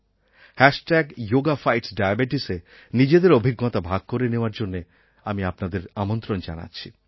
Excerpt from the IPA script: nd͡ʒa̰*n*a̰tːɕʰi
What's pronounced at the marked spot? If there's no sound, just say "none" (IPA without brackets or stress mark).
n